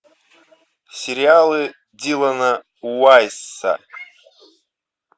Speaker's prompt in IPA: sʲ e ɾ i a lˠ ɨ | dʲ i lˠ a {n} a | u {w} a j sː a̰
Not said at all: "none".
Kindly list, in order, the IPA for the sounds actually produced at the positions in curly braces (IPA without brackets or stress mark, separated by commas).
n, w